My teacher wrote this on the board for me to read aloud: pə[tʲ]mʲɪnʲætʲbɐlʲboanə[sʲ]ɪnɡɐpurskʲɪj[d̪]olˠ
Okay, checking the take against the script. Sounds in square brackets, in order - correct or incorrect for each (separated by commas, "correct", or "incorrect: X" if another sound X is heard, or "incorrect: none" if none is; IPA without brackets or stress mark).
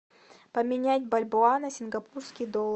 incorrect: none, correct, correct